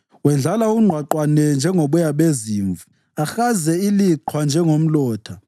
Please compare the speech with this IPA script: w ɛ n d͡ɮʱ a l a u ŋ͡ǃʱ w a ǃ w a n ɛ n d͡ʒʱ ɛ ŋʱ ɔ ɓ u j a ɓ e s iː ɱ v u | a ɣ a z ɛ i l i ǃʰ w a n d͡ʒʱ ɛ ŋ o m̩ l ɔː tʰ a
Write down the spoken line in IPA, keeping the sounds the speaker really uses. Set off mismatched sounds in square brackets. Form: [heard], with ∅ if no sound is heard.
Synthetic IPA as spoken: w ɛ n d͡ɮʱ a l a u ŋ͡ǃʱ w a ǃ w a n ɛ n d͡ʒʱ ɛ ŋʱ [o] ɓ u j a ɓ e [z] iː ɱ v u | a [x] a z ɛ i l i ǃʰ w a n d͡ʒʱ ɛ ŋ o m̩ l ɔː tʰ a